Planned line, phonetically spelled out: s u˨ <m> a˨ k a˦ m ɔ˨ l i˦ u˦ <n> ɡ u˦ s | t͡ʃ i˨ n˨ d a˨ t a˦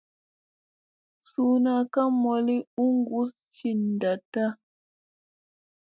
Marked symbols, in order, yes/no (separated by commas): no, no